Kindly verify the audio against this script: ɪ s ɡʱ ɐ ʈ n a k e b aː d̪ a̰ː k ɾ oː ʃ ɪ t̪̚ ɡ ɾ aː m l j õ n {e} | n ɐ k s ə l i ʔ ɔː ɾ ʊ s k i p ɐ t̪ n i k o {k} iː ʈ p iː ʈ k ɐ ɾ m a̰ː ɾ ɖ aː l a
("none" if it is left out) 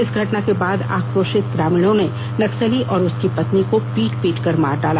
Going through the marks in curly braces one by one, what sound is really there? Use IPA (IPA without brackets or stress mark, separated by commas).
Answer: e, p